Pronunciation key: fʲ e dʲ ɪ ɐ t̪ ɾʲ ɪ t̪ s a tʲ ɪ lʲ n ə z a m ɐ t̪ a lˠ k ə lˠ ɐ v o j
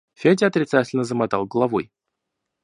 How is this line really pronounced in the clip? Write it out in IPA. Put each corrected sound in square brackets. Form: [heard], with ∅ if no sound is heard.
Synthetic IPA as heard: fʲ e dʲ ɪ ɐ t̪ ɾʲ ɪ t̪ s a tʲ ɪ lʲ n ə z [ə] m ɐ t̪ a lˠ [ɡ] ə lˠ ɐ v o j